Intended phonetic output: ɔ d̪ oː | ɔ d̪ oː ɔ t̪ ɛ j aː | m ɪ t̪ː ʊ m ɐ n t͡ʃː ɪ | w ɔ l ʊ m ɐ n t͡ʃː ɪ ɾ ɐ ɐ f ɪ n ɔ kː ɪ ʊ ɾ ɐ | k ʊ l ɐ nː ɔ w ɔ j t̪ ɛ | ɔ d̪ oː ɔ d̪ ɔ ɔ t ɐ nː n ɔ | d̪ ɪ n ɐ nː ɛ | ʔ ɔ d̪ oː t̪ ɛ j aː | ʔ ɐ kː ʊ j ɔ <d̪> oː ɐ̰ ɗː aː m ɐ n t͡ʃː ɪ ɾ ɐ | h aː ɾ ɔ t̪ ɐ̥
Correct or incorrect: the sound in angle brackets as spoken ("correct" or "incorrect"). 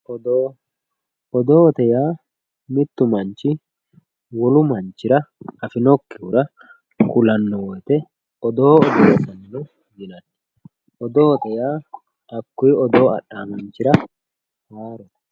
correct